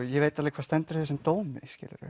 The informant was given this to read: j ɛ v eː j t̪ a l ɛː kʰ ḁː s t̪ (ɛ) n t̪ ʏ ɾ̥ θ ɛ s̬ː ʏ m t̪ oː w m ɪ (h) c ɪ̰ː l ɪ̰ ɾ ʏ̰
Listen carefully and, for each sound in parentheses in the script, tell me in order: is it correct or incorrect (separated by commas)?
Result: correct, incorrect